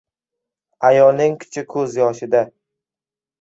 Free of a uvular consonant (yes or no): yes